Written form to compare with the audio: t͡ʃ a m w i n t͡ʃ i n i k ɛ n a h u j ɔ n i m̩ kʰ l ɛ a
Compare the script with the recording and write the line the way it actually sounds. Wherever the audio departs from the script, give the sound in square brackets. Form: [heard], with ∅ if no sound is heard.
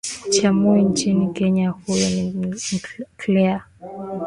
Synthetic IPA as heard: t͡ʃ a m [u] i n t͡ʃ i n i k ɛ [ɲ] a h u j ɔ n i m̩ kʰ l ɛ a